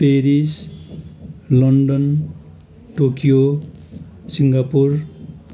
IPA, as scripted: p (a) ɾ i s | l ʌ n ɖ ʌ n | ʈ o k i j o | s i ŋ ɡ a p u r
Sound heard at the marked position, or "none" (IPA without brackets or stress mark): e